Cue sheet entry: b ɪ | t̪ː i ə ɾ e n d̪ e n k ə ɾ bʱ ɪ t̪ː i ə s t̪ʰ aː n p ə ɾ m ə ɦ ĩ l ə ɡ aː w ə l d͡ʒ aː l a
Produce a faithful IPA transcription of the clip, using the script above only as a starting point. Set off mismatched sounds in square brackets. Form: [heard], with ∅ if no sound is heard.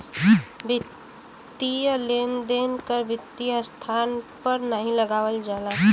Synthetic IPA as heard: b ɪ | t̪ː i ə [l] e n d̪ e n k ə ɾ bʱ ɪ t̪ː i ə s t̪ʰ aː n p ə ɾ [n] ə ɦ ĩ l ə ɡ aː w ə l d͡ʒ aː l a